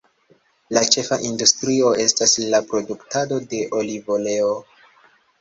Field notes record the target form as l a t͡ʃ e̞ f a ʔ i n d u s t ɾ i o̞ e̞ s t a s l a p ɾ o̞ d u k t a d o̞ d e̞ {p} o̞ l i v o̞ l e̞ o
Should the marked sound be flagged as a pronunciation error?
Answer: yes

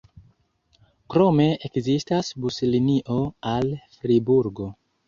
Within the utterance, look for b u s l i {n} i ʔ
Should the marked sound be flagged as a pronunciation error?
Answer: no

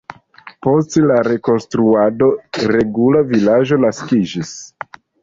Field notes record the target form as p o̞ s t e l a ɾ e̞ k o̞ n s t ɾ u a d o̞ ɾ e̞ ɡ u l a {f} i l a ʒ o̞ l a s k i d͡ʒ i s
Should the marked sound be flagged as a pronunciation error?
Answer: yes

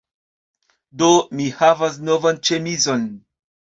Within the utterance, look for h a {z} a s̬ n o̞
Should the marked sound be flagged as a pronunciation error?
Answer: yes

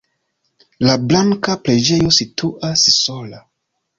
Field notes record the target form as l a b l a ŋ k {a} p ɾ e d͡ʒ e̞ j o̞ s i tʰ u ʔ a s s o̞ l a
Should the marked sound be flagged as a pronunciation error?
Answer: no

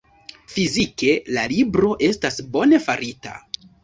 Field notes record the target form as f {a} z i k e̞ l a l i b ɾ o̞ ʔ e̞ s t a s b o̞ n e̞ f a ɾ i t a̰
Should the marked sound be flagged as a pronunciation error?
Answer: yes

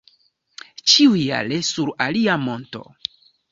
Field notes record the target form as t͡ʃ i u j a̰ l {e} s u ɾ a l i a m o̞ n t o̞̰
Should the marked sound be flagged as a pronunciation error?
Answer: no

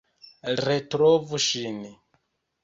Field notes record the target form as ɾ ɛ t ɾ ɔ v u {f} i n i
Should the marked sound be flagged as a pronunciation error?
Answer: yes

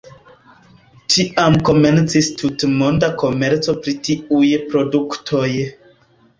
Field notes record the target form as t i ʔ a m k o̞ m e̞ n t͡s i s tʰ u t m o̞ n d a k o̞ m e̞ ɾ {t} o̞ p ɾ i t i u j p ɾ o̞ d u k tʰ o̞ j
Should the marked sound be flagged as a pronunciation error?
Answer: yes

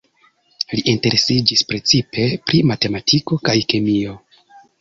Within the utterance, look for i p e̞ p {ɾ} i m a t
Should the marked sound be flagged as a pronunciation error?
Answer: no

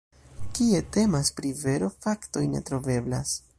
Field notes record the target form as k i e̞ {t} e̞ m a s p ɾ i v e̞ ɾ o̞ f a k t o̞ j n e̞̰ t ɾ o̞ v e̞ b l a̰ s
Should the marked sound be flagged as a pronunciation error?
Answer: no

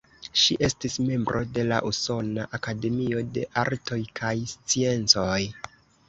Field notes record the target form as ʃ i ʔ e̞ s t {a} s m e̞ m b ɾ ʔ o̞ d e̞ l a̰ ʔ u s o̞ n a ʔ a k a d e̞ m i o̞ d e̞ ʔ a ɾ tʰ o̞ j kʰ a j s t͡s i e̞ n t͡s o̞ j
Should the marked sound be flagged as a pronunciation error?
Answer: yes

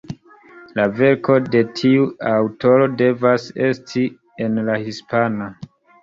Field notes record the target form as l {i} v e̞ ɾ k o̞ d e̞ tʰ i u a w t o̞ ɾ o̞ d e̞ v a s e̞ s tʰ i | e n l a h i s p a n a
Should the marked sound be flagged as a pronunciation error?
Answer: yes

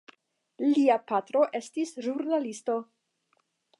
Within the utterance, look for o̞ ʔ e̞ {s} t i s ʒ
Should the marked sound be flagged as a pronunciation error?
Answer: no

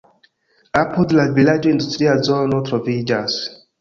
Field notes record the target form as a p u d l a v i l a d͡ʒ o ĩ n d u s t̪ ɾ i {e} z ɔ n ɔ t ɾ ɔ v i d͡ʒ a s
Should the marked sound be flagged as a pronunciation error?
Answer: yes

